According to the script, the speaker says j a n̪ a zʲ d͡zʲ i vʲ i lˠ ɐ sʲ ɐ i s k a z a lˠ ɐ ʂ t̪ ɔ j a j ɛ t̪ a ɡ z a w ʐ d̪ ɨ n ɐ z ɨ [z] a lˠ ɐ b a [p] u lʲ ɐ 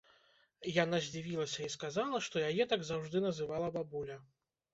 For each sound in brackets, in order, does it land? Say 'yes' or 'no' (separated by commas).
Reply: no, no